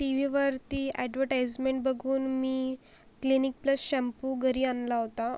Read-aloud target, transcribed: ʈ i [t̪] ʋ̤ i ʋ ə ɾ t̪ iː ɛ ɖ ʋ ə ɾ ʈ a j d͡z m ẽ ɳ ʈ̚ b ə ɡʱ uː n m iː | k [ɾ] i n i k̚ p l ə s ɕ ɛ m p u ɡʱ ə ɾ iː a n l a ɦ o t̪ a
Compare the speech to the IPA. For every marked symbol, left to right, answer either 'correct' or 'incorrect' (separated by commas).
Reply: incorrect, incorrect